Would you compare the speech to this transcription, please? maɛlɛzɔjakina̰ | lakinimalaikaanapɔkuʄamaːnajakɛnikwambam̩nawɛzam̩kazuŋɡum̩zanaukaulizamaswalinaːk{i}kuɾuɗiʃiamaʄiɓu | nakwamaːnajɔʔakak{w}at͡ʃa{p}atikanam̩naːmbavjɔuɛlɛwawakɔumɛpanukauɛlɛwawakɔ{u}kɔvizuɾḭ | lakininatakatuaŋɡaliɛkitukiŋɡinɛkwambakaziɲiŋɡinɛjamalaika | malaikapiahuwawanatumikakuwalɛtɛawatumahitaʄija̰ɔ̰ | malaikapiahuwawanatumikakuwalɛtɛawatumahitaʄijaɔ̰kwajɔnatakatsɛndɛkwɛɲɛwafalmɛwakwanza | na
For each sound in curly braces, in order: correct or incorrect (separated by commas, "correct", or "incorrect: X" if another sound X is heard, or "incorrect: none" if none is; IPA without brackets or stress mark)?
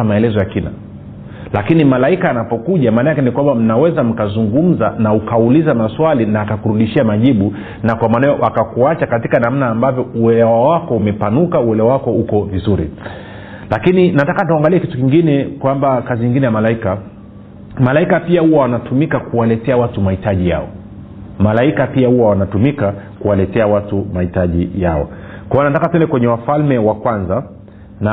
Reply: incorrect: a, incorrect: u, incorrect: k, correct